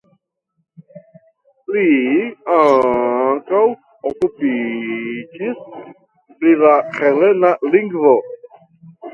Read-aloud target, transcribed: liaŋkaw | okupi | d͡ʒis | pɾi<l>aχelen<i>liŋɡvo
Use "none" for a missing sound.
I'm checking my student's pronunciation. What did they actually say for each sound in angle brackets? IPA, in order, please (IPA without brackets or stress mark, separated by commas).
l, a